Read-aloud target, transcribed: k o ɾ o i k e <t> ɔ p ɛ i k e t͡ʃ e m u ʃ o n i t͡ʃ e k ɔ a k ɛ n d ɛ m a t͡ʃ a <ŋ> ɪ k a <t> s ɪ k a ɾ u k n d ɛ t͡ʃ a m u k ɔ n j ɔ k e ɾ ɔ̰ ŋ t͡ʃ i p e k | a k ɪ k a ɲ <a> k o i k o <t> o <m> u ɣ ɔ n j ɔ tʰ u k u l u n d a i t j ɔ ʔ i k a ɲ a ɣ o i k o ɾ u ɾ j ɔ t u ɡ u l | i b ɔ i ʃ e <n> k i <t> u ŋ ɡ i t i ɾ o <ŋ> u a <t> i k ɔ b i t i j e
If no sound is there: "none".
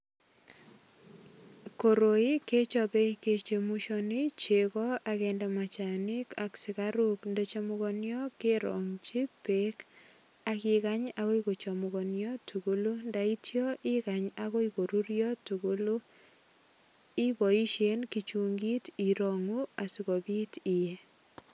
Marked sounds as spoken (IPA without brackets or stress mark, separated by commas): t͡ʃ, n, k, a, t͡ʃ, m, n, t͡ʃ, ŋ, s